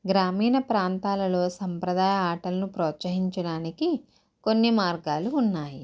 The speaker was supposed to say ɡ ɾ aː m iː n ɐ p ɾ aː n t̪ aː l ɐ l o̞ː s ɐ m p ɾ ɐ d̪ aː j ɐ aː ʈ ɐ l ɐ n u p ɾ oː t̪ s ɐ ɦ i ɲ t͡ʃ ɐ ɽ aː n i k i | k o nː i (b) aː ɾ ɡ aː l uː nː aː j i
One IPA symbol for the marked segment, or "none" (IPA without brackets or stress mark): m